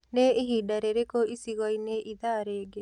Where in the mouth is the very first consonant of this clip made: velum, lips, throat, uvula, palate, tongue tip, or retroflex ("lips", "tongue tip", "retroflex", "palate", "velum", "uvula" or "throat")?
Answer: tongue tip